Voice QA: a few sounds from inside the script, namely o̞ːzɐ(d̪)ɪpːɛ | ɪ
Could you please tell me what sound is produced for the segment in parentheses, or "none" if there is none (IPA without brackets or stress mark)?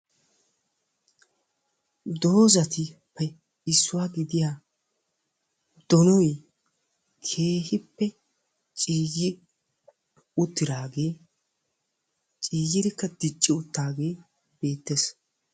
t̪